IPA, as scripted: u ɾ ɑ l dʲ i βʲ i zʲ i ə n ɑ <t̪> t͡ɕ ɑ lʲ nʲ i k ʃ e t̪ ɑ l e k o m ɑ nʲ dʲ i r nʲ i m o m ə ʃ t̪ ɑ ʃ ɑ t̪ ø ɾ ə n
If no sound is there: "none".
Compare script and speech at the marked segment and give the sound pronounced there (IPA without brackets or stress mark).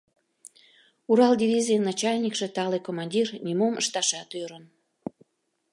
none